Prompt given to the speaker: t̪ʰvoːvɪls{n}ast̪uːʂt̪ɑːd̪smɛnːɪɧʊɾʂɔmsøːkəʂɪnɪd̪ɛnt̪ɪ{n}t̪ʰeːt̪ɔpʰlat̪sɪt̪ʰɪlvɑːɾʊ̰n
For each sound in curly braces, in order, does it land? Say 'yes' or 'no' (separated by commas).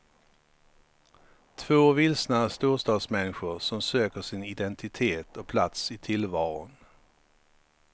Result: yes, no